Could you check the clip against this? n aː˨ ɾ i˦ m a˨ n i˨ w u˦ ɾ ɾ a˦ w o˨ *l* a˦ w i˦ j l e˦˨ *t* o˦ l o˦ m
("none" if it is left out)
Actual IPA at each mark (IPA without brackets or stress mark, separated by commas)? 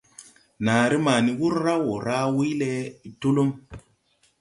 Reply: ɾ, t